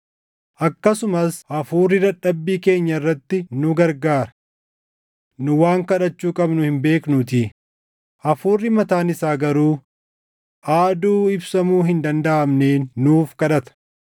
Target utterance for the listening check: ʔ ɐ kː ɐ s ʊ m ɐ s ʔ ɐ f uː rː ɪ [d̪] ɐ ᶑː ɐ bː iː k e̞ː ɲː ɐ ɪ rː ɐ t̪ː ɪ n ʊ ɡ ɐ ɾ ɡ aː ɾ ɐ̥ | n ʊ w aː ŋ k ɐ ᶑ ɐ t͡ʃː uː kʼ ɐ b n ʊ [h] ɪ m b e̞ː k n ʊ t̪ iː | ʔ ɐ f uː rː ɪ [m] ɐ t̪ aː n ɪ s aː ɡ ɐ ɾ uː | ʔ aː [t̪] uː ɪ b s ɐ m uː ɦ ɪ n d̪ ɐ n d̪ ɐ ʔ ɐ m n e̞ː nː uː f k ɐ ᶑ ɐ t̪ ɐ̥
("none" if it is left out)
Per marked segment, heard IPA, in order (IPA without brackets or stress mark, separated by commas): d̪, h, m, d̪